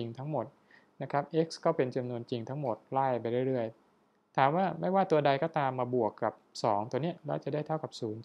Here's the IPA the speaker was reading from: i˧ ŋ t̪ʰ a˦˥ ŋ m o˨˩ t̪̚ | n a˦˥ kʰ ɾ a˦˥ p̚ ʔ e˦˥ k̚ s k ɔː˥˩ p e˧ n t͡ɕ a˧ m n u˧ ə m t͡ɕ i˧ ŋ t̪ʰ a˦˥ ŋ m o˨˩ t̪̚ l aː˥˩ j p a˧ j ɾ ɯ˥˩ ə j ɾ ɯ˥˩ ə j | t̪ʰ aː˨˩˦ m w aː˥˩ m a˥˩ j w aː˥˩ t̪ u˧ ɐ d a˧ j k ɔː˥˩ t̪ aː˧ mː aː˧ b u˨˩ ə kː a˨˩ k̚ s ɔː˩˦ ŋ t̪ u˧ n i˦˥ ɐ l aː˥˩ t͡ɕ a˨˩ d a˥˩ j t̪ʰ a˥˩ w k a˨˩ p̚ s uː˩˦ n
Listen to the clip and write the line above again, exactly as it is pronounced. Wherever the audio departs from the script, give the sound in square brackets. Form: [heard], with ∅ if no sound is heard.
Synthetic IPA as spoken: i˧ ŋ t̪ʰ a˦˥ ŋ m o˨˩ t̪̚ | n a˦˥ kʰ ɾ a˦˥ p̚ ʔ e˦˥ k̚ s k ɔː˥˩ p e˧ n t͡ɕ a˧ m n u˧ ə [n] t͡ɕ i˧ ŋ t̪ʰ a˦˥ ŋ m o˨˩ t̪̚ l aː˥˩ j p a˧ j ɾ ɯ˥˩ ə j ɾ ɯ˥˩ ə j | t̪ʰ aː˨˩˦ m w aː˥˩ m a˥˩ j w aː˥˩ t̪ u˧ ɐ d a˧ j k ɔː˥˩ t̪ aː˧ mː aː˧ b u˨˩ ə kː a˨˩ [p̚] s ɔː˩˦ ŋ t̪ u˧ n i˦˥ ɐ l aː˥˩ t͡ɕ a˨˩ d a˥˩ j t̪ʰ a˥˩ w k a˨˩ p̚ s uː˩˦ n